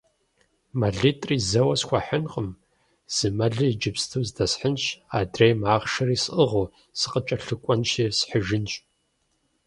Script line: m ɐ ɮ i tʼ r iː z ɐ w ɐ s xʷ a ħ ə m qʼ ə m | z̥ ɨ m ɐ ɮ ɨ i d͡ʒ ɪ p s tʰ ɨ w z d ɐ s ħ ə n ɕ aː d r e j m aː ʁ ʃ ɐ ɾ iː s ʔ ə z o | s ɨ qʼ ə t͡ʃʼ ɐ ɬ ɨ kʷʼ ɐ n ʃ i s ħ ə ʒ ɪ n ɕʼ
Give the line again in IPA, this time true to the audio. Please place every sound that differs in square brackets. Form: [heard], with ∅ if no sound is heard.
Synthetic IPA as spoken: m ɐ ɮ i tʼ r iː z ɐ w ɐ s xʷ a ħ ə [n] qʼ ə m | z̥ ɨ m ɐ ɮ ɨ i d͡ʒ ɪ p s tʰ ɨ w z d ɐ s ħ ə n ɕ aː d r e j m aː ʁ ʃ ɐ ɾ iː s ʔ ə [ʁ] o | s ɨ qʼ ə t͡ʃʼ ɐ ɬ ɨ kʷʼ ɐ n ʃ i s ħ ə ʒ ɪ n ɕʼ

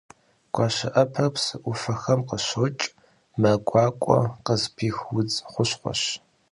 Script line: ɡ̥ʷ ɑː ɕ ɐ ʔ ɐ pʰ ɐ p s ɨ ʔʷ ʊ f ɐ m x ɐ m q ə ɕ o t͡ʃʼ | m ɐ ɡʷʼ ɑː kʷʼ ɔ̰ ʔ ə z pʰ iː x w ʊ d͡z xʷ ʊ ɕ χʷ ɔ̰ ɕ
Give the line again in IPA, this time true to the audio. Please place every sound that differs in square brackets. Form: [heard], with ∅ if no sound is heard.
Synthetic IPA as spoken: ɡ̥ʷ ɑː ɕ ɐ ʔ ɐ pʰ ɐ p s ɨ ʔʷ ʊ f ɐ [∅] x ɐ m q ə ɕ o t͡ʃʼ | m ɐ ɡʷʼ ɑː kʷʼ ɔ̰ [q] ə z pʰ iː x w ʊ d͡z [χʷ] ʊ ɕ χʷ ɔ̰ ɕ

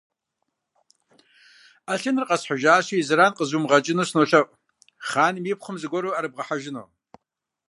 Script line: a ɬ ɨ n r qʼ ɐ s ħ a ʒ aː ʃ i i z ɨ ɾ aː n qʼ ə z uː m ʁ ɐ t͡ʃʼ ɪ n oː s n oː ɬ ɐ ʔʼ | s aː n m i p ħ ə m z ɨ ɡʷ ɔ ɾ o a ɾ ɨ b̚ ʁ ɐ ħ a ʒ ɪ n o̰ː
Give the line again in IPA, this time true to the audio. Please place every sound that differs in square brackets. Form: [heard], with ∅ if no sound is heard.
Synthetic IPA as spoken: a ɬ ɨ n r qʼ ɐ s ħ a ʒ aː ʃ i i z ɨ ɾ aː n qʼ ə z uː m ʁ ɐ t͡ʃʼ ɪ n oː s n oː ɬ ɐ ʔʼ | [χ] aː n m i p [χ] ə m z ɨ ɡʷ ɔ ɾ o a ɾ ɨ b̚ ʁ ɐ ħ a ʒ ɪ n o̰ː

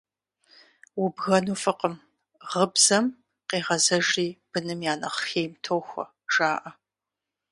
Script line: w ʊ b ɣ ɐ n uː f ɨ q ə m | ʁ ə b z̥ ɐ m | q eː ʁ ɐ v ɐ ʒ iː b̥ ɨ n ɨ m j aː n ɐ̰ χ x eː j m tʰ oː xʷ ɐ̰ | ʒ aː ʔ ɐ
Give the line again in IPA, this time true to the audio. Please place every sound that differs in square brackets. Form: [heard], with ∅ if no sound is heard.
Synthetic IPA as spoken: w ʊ b ɣ ɐ n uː f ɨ q ə m | ʁ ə b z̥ ɐ m | q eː ʁ ɐ [z] ɐ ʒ iː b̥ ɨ n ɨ m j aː n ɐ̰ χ x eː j m tʰ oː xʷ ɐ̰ | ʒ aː ʔ ɐ

